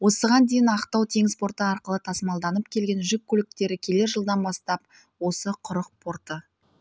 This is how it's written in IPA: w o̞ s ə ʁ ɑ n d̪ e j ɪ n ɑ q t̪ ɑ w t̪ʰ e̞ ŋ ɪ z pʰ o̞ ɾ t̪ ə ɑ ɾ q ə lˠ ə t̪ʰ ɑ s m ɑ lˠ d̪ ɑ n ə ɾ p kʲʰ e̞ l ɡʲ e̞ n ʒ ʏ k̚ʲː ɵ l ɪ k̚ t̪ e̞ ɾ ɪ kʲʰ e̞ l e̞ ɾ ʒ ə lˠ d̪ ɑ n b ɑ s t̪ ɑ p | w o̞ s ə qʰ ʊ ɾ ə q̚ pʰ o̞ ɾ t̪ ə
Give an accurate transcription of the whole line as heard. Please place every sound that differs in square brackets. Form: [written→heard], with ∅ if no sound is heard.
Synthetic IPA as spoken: w o̞ s ə ʁ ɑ n d̪ e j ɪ n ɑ q t̪ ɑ w t̪ʰ e̞ ŋ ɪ z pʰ o̞ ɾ t̪ ə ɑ ɾ q ə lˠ ə t̪ʰ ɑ s m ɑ lˠ d̪ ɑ n ə [ɾ→∅] p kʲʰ e̞ l ɡʲ e̞ n ʒ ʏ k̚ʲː ɵ l ɪ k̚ t̪ e̞ ɾ ɪ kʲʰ e̞ l e̞ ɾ ʒ ə lˠ d̪ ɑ n b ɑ s t̪ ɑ p | w o̞ s ə qʰ ʊ ɾ ə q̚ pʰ o̞ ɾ t̪ ə

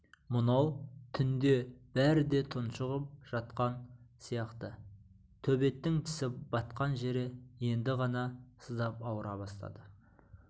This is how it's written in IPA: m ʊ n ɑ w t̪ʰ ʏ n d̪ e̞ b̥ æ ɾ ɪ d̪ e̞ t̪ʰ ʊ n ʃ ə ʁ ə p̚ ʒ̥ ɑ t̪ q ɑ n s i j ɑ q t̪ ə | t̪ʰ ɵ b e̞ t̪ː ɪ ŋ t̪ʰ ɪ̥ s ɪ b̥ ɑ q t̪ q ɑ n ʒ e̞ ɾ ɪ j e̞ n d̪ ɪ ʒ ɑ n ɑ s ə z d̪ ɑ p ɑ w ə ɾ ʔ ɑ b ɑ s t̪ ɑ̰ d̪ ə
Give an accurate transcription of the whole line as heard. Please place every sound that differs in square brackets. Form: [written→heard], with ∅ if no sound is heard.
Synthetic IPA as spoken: m ʊ n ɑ w t̪ʰ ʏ n d̪ e̞ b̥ æ ɾ ɪ d̪ e̞ t̪ʰ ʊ n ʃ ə ʁ ə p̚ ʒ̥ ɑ t̪ q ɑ n s i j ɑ q t̪ ə | t̪ʰ ɵ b e̞ t̪ː ɪ ŋ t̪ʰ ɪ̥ s ɪ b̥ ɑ [q→∅] t̪ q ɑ n ʒ e̞ ɾ ɪ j e̞ n d̪ ɪ [ʒ→ʁ] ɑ n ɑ s ə z d̪ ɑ p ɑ w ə ɾ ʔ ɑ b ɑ s t̪ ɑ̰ d̪ ə

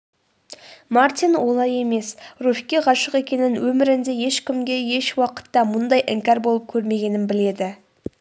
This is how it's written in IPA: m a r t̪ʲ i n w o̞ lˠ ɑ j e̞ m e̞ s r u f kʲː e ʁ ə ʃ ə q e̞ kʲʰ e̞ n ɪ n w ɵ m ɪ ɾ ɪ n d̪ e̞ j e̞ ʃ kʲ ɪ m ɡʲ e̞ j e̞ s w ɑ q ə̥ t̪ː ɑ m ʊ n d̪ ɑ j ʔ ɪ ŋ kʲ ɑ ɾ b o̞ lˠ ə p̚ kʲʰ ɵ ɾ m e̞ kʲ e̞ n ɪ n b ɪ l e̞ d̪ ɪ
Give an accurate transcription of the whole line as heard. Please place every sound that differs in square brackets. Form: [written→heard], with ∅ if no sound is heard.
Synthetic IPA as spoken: m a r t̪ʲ i n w o̞ lˠ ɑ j e̞ m e̞ s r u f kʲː e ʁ [ə→ɑ] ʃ ə q e̞ [kʲʰ→kʲ] e̞ n ɪ n w ɵ m ɪ ɾ ɪ n d̪ e̞ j e̞ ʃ kʲ ɪ m ɡʲ e̞ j e̞ [s→ʃ] w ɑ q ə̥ t̪ː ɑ m ʊ n d̪ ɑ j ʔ ɪ ŋ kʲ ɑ ɾ b o̞ lˠ ə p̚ kʲʰ ɵ ɾ m e̞ [kʲ→ɡʲ] e̞ n ɪ n b ɪ l e̞ d̪ ɪ

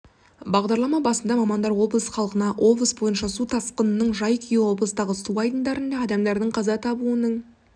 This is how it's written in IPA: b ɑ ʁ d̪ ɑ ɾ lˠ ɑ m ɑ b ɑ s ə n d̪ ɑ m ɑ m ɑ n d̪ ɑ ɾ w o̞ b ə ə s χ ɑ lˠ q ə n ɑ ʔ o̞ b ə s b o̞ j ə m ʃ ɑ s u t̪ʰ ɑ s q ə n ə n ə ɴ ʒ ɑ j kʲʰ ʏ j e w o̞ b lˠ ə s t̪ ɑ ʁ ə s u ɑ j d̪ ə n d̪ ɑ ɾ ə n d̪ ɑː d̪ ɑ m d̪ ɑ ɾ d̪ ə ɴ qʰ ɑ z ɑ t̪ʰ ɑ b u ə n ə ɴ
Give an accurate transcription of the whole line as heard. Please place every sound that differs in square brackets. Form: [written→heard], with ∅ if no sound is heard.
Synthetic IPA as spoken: b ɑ ʁ d̪ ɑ ɾ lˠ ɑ m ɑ b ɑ s ə n d̪ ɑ m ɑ m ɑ n d̪ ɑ ɾ w o̞ b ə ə s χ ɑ lˠ q ə n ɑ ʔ o̞ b ə s b o̞ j ə [m→n] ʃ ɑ s u t̪ʰ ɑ s q ə n ə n ə ɴ ʒ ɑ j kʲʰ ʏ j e w o̞ b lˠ ə s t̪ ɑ ʁ ə s u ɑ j d̪ ə n d̪ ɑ ɾ ə n d̪ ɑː d̪ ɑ m d̪ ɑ ɾ d̪ ə ɴ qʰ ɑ z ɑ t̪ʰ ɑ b u ə n ə ɴ

